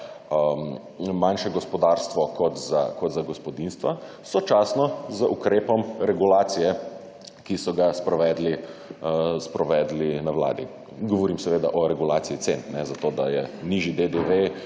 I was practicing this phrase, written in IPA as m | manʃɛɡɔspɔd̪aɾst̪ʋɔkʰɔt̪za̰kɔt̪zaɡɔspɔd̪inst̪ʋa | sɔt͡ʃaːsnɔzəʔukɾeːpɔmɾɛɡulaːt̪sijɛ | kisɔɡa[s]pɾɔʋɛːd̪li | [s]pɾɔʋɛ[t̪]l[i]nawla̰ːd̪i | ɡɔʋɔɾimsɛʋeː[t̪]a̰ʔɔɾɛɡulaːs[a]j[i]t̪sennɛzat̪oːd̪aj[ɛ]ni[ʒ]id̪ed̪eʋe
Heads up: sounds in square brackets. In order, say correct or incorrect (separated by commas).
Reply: correct, correct, incorrect, correct, incorrect, incorrect, correct, correct, correct